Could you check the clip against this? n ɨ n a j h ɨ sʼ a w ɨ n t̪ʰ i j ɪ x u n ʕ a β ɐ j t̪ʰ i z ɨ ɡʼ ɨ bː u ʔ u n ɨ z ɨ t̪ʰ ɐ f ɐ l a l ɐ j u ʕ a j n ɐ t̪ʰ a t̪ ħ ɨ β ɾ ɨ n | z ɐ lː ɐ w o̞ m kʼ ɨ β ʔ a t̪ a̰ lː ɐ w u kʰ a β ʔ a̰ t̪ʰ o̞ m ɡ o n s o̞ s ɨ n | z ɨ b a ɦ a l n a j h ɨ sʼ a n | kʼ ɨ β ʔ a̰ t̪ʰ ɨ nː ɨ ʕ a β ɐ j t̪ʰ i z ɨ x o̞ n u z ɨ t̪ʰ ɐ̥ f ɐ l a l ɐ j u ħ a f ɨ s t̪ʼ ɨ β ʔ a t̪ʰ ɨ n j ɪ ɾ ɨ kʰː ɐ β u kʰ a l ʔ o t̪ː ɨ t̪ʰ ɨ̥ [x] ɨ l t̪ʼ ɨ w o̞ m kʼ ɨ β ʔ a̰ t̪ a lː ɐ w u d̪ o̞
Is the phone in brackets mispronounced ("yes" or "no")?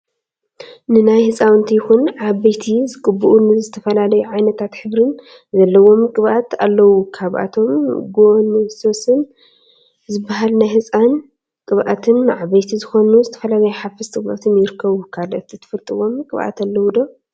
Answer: yes